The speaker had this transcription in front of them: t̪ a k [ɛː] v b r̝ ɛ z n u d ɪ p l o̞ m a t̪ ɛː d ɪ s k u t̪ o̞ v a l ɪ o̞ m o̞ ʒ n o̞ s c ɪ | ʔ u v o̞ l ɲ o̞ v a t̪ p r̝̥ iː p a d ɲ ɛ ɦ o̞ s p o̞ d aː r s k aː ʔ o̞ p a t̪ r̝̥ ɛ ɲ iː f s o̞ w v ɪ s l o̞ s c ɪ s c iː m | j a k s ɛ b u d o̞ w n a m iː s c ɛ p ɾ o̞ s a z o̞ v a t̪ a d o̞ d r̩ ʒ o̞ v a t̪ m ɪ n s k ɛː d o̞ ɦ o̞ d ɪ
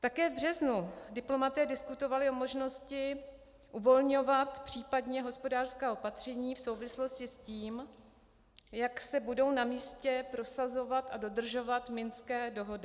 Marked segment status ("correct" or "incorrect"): correct